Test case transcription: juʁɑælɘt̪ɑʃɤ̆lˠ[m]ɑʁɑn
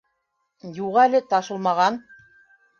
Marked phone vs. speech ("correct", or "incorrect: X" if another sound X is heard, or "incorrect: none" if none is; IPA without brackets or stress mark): correct